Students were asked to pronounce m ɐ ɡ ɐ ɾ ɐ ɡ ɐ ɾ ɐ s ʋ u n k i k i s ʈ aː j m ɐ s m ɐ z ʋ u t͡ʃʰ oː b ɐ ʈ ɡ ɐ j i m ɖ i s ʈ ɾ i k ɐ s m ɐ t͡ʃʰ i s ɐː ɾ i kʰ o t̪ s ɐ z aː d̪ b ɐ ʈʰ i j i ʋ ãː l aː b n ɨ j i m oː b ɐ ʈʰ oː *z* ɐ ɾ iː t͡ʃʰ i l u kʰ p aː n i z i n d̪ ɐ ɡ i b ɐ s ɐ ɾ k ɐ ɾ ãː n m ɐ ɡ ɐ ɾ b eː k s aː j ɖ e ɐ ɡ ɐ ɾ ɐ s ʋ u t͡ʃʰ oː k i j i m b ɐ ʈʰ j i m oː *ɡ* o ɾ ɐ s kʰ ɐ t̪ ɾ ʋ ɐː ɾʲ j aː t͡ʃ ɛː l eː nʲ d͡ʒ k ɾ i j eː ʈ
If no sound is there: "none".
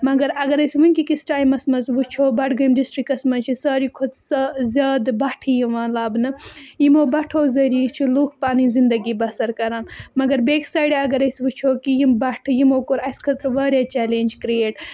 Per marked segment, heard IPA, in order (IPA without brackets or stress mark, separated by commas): z, k